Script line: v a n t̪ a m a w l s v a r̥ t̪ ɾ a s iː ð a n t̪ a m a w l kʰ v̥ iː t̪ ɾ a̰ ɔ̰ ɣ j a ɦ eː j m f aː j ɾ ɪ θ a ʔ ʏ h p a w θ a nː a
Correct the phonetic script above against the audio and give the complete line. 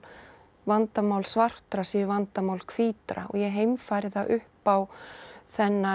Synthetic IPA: v a n t̪ a m a w l s v a r̥ t̪ ɾ a s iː v a n t̪ a m a w l kʰ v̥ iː t̪ ɾ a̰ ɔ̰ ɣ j ɛ ɦ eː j m f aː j ɾ ɪ θ a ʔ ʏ h p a w θ ɛ nː a